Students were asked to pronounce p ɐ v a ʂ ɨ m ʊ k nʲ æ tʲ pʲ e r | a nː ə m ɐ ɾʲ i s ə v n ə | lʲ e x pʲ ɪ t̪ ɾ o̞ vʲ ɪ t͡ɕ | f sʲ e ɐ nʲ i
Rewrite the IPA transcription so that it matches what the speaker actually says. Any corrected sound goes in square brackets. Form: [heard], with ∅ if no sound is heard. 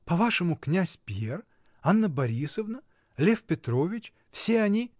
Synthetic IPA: p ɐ v a ʂ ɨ m ʊ k nʲ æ [sʲ] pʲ e r | a nː ə [b] ɐ ɾʲ i s ə v n ə | lʲ e [f] pʲ ɪ t̪ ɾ o̞ vʲ ɪ t͡ɕ | f sʲ e ɐ nʲ i